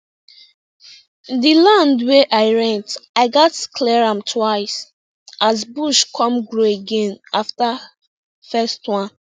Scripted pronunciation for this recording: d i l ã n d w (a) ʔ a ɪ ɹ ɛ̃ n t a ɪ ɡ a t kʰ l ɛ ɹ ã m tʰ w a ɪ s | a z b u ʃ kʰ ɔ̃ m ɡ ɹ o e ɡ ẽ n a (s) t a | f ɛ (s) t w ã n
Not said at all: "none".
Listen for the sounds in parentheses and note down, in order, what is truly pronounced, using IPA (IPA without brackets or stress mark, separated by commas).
e, f, s